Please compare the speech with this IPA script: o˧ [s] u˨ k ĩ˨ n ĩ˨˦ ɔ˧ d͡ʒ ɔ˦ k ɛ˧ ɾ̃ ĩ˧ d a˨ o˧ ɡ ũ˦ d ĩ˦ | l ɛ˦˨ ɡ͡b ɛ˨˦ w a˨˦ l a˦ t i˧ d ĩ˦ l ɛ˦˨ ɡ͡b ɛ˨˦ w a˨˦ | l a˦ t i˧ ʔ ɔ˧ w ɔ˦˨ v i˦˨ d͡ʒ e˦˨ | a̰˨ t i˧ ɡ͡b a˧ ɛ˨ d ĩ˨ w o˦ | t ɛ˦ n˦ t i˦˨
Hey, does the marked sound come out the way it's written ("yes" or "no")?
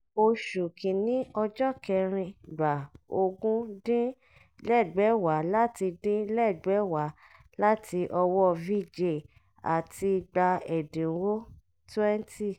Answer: no